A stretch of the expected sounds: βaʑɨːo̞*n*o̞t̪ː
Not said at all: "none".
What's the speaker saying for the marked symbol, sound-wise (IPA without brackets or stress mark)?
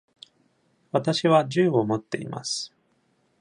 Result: m